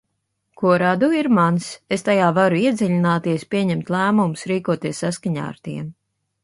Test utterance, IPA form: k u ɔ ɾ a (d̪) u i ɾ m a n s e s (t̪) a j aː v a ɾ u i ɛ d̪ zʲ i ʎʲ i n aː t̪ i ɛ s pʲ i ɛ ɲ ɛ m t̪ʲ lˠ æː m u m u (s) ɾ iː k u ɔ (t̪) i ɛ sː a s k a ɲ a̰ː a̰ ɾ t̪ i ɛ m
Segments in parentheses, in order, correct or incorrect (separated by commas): correct, correct, correct, correct